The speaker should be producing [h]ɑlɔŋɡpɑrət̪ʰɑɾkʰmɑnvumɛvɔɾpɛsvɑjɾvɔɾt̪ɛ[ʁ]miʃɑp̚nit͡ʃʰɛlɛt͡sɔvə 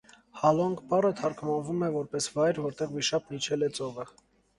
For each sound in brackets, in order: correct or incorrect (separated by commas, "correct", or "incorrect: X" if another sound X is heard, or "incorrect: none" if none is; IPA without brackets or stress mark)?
correct, correct